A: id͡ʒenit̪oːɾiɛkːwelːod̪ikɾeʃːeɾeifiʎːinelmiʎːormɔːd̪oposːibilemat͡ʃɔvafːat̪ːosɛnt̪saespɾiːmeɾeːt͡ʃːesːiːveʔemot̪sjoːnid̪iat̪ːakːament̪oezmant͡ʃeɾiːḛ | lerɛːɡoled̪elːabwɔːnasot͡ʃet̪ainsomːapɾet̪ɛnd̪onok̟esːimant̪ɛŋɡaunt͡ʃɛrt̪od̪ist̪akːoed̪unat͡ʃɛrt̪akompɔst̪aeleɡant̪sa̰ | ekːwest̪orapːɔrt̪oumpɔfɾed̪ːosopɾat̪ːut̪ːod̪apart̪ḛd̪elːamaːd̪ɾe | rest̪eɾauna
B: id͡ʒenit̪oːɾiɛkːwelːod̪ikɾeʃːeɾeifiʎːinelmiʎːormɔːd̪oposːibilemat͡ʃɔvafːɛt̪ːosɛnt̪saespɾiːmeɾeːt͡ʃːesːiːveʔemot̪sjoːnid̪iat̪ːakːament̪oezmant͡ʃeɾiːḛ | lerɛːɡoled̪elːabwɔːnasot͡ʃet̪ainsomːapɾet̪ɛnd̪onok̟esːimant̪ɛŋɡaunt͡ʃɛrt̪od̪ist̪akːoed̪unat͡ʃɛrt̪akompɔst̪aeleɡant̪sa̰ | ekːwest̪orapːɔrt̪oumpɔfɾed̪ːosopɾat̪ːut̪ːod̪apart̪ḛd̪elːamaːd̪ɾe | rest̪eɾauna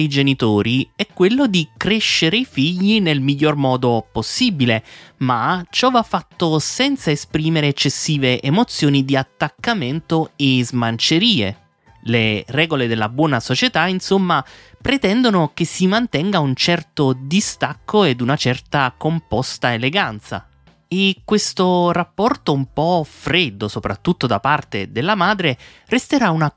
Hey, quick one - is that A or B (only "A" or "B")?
A